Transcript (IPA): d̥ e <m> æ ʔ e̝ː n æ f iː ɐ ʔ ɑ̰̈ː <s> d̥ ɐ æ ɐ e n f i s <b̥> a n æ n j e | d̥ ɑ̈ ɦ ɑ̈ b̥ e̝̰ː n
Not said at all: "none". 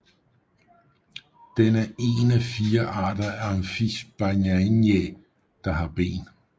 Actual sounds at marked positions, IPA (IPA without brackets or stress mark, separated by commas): n, none, b̥